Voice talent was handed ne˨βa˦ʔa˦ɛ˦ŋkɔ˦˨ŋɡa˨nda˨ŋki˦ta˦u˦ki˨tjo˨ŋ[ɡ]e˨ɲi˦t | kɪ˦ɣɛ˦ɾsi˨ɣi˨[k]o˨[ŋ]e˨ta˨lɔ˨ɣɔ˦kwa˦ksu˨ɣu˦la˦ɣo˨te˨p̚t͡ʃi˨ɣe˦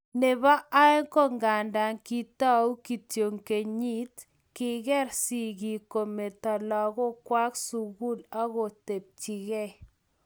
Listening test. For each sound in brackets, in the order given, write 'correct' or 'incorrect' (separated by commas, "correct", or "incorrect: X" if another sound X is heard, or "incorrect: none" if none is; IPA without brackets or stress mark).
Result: incorrect: k, correct, incorrect: m